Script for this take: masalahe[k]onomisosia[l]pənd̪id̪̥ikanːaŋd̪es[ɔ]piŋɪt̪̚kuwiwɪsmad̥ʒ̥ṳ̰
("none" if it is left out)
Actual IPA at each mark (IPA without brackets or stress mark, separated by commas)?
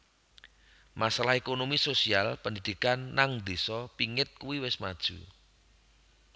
k, l, ɔ